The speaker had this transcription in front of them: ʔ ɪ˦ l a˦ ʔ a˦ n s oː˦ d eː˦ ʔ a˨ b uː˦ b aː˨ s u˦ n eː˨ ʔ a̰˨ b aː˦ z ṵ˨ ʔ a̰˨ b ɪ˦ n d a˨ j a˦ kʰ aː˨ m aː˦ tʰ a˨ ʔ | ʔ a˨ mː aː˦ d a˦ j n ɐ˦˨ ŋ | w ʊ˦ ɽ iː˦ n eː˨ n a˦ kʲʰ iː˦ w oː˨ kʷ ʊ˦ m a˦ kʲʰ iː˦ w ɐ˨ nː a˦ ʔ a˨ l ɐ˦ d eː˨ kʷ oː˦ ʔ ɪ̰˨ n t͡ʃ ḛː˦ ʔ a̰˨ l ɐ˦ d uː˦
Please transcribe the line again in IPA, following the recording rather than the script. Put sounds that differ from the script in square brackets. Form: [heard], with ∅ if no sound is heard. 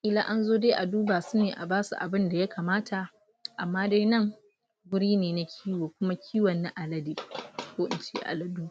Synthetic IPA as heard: ʔ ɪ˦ l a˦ ʔ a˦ n [z] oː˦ d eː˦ ʔ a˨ [d] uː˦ b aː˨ s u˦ n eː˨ ʔ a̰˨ b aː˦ [s] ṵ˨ ʔ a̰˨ b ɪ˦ n d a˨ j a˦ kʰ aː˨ m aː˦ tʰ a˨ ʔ | ʔ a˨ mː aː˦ d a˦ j n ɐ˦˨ ŋ | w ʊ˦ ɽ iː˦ n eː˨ n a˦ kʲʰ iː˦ w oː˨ kʷ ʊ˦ m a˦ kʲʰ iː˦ w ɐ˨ nː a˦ ʔ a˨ l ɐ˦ d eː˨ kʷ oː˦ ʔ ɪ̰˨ n t͡ʃ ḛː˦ ʔ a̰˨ l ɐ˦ d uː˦

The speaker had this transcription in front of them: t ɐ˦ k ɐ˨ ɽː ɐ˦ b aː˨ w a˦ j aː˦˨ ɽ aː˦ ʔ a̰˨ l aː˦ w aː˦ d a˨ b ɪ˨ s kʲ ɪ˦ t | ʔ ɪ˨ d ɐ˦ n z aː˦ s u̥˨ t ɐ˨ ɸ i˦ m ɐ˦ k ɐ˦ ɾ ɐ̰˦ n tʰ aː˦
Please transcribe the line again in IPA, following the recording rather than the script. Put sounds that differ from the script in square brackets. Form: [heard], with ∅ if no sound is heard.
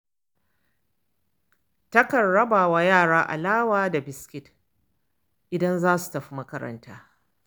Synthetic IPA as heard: t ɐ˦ k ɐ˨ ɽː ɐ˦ b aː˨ w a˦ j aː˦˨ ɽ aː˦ ʔ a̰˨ l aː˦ w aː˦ d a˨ b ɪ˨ s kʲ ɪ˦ t | ʔ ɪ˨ d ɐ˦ n z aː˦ s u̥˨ t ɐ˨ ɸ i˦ m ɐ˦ k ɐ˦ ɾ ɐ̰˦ n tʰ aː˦

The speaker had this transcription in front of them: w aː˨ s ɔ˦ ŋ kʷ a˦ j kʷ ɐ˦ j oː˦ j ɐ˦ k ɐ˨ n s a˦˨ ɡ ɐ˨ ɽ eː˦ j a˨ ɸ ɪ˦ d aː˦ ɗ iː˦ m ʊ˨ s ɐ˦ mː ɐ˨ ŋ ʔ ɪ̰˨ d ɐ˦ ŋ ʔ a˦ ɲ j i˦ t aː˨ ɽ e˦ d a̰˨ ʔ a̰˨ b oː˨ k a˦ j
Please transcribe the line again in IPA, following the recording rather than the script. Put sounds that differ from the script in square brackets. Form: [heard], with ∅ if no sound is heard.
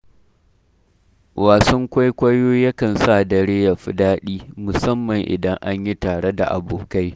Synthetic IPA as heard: w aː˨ s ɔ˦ ŋ kʷ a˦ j kʷ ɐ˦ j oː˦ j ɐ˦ k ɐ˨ n s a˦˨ [d] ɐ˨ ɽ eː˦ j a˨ ɸ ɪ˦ d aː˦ ɗ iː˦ m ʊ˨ s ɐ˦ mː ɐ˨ ŋ ʔ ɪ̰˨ d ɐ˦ ŋ ʔ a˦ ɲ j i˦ t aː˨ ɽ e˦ d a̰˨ ʔ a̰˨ b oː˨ k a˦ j

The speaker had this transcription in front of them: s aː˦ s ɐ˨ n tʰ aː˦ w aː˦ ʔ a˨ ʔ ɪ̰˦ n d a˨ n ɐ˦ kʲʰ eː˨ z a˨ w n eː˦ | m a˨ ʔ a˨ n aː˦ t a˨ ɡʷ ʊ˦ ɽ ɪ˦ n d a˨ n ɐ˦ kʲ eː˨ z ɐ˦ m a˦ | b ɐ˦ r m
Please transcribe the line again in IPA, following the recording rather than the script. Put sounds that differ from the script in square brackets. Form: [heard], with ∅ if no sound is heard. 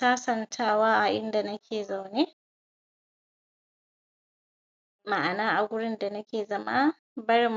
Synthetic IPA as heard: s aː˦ s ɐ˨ n tʰ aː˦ w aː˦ ʔ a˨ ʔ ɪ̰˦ n d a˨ n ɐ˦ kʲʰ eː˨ z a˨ w n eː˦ | m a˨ ʔ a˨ n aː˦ [ʔ] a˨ ɡʷ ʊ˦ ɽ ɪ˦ n d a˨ n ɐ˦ kʲ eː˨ z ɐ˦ m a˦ | b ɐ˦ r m

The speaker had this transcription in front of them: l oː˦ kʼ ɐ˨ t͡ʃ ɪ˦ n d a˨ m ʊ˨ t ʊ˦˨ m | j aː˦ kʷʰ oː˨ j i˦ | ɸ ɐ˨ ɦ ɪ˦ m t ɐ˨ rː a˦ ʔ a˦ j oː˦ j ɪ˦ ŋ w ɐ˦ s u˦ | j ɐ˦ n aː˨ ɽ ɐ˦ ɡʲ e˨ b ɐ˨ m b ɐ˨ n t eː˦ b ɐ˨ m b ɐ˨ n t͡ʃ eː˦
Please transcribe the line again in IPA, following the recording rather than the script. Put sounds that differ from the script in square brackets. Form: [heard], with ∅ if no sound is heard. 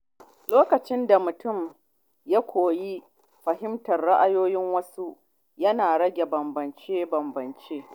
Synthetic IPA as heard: l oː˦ [k] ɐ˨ t͡ʃ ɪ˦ n d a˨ m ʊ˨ t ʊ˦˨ m | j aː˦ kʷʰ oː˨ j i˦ | ɸ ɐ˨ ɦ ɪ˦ m t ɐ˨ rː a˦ ʔ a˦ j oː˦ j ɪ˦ ŋ w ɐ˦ s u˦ | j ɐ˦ n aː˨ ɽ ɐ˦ ɡʲ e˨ b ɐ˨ m b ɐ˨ n [t͡ʃ] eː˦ b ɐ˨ m b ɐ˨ n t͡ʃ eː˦

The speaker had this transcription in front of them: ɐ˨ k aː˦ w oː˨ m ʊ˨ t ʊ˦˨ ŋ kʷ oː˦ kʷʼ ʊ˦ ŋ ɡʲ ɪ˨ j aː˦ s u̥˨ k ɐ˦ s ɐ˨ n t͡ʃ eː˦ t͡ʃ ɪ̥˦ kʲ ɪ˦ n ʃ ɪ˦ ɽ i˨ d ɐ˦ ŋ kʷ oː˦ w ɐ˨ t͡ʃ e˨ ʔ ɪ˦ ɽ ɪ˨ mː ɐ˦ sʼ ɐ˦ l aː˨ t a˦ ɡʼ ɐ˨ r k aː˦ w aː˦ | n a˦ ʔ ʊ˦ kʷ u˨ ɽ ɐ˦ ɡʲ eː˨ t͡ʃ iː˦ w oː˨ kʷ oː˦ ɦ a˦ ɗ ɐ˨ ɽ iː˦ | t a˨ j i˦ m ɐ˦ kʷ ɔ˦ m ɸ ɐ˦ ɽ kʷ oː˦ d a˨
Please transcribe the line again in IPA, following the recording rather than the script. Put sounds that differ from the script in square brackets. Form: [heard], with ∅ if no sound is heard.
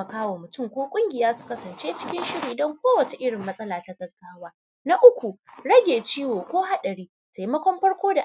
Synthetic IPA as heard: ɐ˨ k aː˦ w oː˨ m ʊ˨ t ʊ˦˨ ŋ kʷ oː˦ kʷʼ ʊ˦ ŋ ɡʲ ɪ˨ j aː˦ s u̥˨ k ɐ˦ s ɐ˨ n t͡ʃ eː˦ t͡ʃ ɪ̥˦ kʲ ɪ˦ n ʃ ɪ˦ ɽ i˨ d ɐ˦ ŋ kʷ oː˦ w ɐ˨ t͡ʃ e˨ ʔ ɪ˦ ɽ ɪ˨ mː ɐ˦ sʼ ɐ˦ l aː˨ t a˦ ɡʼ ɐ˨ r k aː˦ w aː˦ | n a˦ ʔ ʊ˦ kʷ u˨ ɽ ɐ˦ ɡʲ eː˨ t͡ʃ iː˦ w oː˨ kʷ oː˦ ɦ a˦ ɗ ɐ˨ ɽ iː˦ | t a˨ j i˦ m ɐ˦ kʷ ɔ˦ m ɸ ɐ˦ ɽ kʷ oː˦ d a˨

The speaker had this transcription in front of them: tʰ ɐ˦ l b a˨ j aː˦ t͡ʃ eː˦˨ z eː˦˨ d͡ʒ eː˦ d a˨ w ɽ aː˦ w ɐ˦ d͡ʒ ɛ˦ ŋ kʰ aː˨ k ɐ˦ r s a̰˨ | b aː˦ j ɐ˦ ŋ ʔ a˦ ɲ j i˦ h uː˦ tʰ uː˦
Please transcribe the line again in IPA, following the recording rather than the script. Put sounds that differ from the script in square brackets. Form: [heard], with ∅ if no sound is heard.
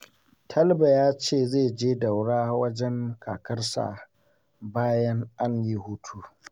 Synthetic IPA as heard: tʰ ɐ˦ l b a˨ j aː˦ t͡ʃ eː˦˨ z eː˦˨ d͡ʒ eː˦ d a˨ w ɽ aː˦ w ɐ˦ d͡ʒ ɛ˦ ŋ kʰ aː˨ k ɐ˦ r s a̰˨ | b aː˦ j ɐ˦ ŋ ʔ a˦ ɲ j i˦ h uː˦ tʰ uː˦

